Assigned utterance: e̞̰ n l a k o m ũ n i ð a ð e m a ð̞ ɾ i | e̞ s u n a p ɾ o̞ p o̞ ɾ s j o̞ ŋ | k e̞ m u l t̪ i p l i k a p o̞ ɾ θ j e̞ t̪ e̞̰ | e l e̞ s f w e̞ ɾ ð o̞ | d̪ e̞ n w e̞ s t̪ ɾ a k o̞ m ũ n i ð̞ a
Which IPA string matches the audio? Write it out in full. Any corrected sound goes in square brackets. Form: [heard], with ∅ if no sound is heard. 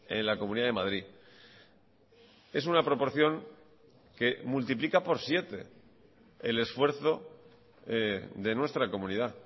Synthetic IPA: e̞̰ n l a k o m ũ n i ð a ð e m a ð̞ ɾ i | e̞ s u n a p ɾ o̞ p o̞ ɾ [θ] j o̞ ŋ | k e̞ m u l t̪ i p l i k a p o̞ ɾ [s] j e̞ t̪ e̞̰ | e l e̞ s f w e̞ ɾ [θ] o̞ | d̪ e̞ n w e̞ s t̪ ɾ a k o̞ m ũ n i ð̞ a